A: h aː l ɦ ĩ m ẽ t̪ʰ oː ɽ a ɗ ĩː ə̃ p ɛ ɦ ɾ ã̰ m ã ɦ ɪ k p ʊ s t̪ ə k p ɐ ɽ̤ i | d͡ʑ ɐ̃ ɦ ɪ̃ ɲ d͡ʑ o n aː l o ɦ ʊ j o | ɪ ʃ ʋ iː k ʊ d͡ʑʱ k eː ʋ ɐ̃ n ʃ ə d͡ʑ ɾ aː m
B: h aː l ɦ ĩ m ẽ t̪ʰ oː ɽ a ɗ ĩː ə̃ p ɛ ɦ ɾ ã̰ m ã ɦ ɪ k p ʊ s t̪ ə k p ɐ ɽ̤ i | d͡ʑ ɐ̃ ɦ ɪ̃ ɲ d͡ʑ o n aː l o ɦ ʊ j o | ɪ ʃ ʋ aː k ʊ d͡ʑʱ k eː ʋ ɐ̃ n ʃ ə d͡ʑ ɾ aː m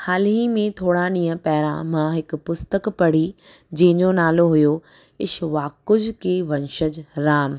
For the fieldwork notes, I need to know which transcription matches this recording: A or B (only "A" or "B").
B